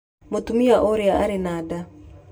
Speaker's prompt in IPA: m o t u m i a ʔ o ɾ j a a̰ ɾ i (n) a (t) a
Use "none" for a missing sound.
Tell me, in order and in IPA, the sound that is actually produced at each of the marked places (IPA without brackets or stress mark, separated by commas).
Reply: n, d